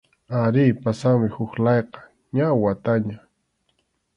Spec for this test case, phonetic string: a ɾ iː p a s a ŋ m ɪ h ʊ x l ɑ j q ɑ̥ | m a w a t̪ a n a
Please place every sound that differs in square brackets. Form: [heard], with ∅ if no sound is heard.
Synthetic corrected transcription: a ɾ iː p a s a ŋ m ɪ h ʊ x l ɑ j q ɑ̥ | [ɲ] a w a t̪ a [ɲ] a